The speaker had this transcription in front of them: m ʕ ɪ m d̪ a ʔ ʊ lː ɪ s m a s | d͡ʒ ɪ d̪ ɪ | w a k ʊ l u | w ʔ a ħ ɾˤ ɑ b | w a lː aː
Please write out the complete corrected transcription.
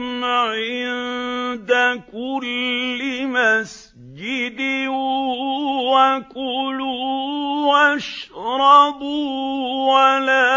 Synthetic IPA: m ʕ ɪ n d̪ a k ʊ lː ɪ m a s | d͡ʒ ɪ d̪ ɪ | w a k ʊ l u | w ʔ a ʃ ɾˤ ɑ b | w a l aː